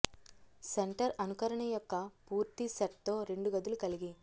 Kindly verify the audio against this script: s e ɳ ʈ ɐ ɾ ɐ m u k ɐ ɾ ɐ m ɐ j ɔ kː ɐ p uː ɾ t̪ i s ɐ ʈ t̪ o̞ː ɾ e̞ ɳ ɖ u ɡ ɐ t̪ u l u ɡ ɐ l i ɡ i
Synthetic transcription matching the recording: s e ɳ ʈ ɐ ɾ ɐ n u k ɐ ɾ ɐ ɳ ɐ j ɔ kː ɐ p uː ɾ t̪ i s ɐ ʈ t̪ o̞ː ɾ e̞ ɳ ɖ u ɡ ɐ d̪ u l u k ɐ l i ɡ i